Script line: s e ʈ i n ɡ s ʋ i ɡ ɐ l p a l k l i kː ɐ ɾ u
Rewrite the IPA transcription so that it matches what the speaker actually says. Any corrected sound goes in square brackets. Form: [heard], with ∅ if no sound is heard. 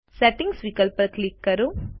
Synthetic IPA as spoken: s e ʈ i [ŋ] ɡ s ʋ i [k] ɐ l p [ɐ] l k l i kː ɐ ɾ u